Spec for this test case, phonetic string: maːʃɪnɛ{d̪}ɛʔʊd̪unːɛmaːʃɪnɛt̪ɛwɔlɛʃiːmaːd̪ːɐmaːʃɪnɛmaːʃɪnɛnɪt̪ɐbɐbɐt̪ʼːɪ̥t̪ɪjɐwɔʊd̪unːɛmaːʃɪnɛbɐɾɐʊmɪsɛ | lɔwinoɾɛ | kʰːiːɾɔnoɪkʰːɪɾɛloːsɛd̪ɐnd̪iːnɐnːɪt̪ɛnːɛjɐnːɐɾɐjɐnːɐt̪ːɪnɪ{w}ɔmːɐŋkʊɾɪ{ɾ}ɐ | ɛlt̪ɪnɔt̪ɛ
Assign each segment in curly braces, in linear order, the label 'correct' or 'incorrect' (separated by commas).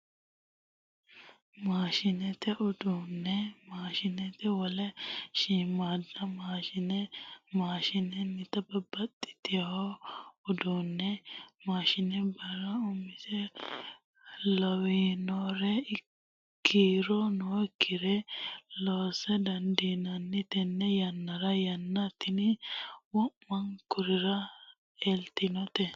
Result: incorrect, correct, correct